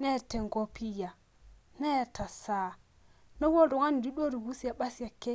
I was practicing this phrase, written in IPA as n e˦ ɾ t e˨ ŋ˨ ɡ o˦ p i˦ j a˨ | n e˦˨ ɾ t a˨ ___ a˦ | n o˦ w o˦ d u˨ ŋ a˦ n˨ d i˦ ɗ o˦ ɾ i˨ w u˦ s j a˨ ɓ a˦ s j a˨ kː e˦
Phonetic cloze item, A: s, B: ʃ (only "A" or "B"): A